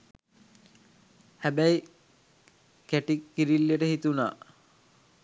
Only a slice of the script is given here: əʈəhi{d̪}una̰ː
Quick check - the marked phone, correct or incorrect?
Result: incorrect